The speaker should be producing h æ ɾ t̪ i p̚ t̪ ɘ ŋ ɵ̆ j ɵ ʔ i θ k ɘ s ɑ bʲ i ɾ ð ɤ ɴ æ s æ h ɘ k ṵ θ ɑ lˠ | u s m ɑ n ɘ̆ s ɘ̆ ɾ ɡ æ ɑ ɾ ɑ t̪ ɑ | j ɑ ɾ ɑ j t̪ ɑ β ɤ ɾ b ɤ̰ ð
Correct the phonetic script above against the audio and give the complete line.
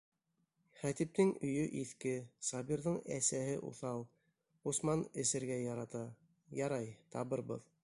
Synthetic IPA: χ æ t̪ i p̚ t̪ ɘ ŋ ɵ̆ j ɵ ʔ i θ k ɘ s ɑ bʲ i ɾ ð ɤ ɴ æ s æ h ɘ ʔ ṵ θ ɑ lˠ | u s m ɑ n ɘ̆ s ɘ̆ ɾ ɡ æ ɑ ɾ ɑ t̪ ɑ | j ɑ ɾ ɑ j t̪ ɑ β ɤ ɾ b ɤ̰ ð